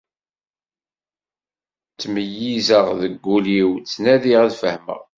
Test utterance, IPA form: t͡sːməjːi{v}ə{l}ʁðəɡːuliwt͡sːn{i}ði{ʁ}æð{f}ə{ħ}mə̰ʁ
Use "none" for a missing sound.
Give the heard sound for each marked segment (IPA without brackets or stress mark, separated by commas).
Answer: z, none, æ, ʁ, f, h